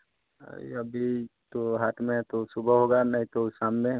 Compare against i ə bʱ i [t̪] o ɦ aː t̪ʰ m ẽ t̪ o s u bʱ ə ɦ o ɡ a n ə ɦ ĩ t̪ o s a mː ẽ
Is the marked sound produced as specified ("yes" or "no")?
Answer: yes